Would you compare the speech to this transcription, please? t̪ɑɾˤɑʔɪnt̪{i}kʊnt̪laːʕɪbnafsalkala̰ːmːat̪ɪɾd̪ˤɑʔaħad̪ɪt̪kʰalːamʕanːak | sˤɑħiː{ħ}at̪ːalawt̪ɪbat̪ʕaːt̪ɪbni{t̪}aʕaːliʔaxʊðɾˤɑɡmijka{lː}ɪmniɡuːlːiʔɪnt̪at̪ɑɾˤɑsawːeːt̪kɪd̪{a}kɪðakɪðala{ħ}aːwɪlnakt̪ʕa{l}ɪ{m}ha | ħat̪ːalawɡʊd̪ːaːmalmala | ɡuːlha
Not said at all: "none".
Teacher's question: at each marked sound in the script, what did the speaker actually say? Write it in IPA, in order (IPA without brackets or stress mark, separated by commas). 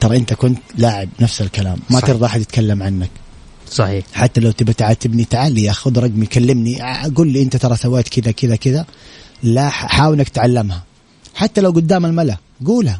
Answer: a, ħ, t̪, lː, a, ħ, lː, m